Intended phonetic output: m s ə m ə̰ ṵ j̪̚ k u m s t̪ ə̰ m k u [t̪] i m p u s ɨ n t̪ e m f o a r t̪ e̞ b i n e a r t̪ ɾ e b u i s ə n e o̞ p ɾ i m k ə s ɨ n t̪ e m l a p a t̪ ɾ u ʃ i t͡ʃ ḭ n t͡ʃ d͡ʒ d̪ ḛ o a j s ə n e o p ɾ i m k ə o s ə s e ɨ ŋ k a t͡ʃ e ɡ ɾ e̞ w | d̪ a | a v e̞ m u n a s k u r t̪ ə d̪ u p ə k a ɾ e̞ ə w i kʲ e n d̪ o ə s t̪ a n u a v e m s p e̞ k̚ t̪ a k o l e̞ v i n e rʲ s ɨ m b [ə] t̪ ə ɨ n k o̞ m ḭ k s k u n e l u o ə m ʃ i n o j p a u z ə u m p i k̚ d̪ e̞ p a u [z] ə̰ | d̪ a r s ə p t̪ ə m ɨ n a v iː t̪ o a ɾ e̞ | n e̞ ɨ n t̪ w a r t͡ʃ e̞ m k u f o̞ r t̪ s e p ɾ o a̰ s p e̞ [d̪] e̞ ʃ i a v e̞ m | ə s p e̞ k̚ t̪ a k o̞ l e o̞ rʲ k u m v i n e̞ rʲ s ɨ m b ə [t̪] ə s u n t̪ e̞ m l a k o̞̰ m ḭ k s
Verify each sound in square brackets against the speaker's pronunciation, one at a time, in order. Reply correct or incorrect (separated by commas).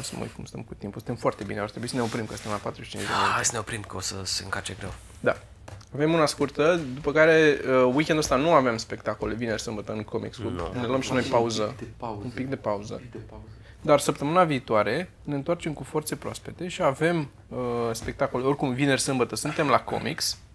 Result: correct, correct, correct, incorrect, correct